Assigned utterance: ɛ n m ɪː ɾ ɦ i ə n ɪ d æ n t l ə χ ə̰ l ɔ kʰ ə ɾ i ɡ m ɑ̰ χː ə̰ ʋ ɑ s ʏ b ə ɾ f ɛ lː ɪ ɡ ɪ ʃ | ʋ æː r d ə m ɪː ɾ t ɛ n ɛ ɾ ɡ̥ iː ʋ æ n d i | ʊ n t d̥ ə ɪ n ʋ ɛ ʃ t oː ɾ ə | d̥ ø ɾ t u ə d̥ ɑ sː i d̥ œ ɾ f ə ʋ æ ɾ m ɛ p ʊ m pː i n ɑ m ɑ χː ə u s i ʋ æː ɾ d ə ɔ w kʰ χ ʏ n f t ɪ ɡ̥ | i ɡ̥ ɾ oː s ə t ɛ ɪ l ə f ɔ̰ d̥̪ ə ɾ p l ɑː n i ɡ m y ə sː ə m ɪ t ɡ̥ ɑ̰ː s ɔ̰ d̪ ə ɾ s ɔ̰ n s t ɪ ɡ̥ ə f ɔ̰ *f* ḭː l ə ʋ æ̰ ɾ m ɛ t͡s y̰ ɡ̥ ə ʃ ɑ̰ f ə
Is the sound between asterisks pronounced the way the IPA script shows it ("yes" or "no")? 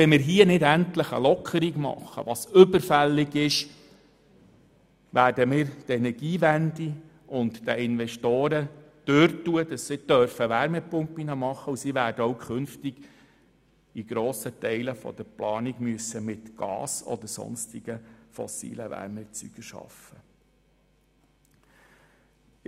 no